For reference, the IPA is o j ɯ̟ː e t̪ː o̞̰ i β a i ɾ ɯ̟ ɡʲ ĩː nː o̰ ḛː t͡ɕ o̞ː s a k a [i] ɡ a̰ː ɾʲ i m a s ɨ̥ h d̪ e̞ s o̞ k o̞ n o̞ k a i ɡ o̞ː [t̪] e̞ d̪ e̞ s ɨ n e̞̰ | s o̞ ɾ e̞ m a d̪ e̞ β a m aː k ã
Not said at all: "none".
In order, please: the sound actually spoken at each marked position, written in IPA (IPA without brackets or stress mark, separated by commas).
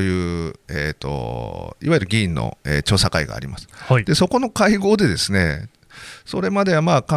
i, d̪